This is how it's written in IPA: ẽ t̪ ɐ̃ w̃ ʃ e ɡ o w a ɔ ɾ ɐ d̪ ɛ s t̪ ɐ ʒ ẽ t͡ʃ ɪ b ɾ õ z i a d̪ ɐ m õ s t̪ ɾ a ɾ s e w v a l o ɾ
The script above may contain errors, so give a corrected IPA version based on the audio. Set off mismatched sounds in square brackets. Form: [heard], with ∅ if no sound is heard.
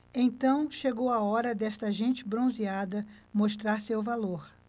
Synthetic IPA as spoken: ẽ t̪ ɐ̃ w̃ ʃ e ɡ o w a ɔ ɾ ɐ d̪ ɛ s t̪ ɐ ʒ ẽ t͡ʃ ɪ b ɾ õ z i a d̪ ɐ m [o] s t̪ ɾ a ɾ s e w v a l o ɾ